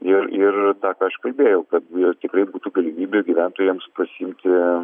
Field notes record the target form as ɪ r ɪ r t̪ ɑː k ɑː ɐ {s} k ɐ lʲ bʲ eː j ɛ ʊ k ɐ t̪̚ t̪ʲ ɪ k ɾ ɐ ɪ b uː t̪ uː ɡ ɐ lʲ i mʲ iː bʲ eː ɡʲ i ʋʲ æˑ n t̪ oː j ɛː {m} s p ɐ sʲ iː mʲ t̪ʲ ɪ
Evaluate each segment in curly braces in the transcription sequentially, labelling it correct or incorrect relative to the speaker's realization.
incorrect, correct

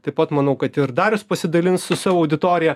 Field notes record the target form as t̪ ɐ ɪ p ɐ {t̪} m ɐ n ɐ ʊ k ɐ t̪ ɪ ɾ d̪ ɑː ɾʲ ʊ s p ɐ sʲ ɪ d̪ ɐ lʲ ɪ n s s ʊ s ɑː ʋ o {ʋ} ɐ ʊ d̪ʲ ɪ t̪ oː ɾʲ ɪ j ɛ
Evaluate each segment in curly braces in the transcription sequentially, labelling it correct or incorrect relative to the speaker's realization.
correct, incorrect

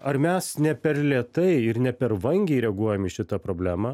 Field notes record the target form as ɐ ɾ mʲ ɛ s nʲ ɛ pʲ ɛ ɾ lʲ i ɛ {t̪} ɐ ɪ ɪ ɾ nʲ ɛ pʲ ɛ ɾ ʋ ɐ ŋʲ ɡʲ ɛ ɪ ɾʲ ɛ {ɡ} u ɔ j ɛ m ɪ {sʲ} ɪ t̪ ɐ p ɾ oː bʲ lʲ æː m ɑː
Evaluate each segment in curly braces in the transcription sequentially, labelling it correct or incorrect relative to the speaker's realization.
correct, correct, incorrect

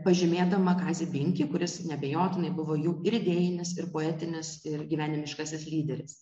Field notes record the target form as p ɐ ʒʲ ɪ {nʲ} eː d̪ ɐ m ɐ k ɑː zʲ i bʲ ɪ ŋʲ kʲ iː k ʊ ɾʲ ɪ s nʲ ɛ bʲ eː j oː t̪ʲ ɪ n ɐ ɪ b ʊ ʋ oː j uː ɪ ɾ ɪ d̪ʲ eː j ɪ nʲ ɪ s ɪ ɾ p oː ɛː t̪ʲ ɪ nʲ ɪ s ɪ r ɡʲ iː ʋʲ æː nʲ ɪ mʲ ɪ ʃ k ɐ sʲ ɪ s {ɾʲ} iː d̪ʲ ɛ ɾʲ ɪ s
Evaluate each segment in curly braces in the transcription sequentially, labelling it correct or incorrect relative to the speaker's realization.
incorrect, incorrect

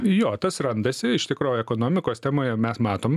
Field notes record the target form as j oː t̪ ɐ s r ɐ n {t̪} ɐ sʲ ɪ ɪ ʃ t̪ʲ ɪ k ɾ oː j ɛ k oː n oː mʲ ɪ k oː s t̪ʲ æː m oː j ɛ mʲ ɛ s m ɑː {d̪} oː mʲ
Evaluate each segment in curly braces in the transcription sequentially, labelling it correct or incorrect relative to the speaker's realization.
incorrect, incorrect

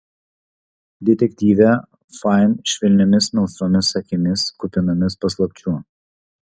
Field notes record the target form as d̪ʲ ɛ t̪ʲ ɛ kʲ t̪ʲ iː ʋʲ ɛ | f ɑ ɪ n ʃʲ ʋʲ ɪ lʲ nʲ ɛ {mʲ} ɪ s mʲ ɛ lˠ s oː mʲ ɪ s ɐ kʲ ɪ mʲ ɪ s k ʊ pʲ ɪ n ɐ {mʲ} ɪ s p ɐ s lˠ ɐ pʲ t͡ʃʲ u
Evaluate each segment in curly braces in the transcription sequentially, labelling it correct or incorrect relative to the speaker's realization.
correct, correct

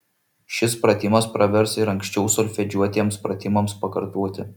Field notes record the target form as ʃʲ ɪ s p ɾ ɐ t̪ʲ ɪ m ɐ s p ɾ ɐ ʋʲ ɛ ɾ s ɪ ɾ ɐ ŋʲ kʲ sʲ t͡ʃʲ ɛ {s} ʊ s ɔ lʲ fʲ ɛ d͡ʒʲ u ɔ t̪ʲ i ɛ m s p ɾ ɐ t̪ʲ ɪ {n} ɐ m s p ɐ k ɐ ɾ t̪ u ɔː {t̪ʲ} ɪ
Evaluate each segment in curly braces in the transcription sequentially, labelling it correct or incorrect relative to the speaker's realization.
incorrect, incorrect, correct

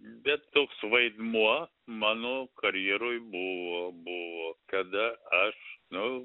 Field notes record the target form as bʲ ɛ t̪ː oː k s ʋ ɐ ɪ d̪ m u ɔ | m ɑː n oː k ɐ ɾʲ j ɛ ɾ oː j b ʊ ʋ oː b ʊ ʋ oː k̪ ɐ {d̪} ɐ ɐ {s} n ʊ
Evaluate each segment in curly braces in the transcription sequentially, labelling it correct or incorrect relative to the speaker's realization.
correct, incorrect

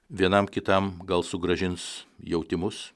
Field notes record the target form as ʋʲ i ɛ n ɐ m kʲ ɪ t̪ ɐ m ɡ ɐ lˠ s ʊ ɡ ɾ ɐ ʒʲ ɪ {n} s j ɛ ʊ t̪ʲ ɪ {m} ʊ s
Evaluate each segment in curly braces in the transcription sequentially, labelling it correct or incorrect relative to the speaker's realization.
correct, correct

